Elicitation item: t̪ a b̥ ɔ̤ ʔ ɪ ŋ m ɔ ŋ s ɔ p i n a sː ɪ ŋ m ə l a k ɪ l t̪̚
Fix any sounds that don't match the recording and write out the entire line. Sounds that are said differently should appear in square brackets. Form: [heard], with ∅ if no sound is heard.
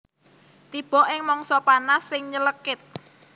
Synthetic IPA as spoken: t̪ [i] b̥ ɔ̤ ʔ ɪ ŋ m ɔ ŋ s ɔ p [a] n a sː ɪ ŋ [ɲ] ə l [ə] k ɪ [∅] t̪̚